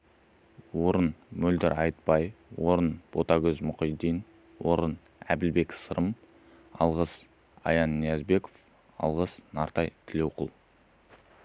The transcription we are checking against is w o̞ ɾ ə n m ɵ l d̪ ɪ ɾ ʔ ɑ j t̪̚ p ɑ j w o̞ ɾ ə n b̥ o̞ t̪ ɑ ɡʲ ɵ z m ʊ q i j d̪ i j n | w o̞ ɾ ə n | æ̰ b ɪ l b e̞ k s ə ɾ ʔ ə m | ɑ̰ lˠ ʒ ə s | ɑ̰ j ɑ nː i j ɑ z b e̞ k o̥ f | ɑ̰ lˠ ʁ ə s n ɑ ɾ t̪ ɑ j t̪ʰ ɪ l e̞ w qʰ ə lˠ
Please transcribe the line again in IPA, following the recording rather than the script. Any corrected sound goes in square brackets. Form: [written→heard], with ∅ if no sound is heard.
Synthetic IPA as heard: w o̞ ɾ ə n m ɵ l d̪ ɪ ɾ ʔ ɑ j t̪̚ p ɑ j w o̞ ɾ ə n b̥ o̞ t̪ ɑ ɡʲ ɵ z m ʊ q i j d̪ i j n | w o̞ ɾ ə n | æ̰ b ɪ l b e̞ k s ə ɾ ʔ ə m | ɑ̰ lˠ [ʒ→ʁ] ə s | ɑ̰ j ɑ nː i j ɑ z b e̞ k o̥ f | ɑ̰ lˠ ʁ ə s n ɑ ɾ t̪ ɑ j t̪ʰ ɪ l e̞ w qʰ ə lˠ